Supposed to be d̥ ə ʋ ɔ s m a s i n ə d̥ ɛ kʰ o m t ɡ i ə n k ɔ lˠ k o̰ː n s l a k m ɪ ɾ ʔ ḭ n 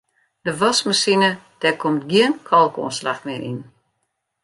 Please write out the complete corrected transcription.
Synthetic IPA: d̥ ə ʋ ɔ s m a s i n ə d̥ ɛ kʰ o m t ɡ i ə n kʰ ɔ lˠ k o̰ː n s l a x m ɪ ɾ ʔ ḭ n